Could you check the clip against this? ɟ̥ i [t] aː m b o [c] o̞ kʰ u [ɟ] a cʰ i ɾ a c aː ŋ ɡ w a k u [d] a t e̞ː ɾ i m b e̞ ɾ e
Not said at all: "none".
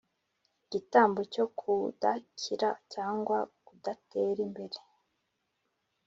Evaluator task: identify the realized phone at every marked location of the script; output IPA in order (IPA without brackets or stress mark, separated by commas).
t, c, d, d